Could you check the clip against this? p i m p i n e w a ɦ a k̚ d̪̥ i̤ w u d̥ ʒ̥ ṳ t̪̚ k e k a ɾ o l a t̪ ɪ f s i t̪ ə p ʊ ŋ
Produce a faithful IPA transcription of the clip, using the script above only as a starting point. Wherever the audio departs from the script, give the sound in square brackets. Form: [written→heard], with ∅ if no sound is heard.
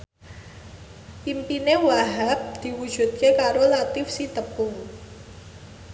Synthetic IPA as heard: p i m p i n e w a ɦ a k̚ d̪̥ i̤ w u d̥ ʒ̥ ṳ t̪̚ k e k a ɾ o l a t̪ ɪ f s i t̪ ə p ʊ ŋ